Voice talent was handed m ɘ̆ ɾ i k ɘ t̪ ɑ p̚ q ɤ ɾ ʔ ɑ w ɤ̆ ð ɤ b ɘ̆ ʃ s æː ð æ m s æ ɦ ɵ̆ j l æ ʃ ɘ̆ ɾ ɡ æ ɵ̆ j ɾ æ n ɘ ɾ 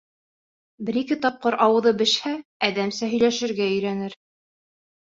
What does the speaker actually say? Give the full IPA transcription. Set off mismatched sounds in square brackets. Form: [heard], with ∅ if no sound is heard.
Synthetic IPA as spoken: [b] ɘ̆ ɾ i k ɘ t̪ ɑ p̚ q ɤ ɾ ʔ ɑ w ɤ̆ ð ɤ b ɘ̆ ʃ [h] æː ð æ m s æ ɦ ɵ̆ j l æ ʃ ɘ̆ ɾ ɡ æ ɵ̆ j ɾ æ n ɘ ɾ